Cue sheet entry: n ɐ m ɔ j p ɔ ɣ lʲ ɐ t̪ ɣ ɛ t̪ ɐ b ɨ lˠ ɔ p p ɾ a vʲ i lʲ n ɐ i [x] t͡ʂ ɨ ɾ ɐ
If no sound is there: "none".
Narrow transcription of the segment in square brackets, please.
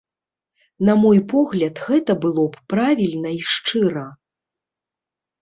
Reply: ʂ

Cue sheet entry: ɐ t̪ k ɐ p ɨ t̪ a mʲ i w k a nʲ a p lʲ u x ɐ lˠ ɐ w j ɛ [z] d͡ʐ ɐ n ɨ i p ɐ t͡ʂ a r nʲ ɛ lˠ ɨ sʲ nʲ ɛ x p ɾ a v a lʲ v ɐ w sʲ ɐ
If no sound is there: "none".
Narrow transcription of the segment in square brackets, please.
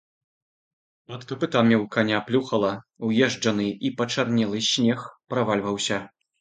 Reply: ʐ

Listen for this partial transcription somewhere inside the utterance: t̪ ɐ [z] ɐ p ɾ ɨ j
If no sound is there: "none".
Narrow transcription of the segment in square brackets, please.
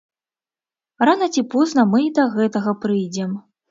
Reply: ɣ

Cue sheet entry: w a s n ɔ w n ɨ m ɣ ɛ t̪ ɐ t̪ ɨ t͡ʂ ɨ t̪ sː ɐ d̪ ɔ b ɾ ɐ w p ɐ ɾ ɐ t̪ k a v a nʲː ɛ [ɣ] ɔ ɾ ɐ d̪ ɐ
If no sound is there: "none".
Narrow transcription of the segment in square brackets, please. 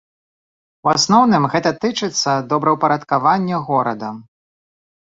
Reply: ɣ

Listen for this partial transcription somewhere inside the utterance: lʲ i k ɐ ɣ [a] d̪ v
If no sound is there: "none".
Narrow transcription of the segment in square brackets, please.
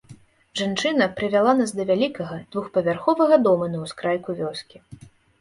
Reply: ɐ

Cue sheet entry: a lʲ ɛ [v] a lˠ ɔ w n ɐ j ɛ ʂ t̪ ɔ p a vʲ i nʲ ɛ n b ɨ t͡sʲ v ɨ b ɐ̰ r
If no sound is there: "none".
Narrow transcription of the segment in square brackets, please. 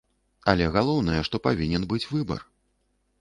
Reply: ɣ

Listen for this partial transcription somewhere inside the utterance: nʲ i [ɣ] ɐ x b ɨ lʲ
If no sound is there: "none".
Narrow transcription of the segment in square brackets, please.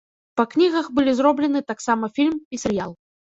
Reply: ɣ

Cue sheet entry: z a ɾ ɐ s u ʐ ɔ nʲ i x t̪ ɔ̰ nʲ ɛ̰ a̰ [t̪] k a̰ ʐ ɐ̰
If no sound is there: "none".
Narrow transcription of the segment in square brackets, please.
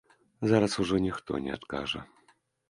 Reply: t̪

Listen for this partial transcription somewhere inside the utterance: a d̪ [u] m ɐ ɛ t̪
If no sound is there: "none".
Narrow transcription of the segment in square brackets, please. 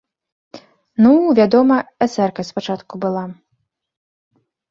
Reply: ɔ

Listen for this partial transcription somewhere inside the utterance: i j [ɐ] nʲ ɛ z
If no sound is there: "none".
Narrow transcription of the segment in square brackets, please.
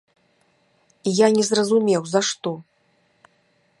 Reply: a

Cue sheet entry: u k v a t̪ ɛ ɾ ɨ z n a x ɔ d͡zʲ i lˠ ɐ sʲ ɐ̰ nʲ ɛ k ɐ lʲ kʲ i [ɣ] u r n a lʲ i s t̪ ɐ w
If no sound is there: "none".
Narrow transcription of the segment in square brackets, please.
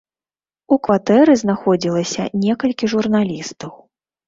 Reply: ʐ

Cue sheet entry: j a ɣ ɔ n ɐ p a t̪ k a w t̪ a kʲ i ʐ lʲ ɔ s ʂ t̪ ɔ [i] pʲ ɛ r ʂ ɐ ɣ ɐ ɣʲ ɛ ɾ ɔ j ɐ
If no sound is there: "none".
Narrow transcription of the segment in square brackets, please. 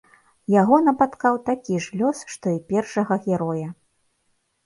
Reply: i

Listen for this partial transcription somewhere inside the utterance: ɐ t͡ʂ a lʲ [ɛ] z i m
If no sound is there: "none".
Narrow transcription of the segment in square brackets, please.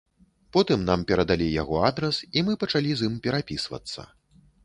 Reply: i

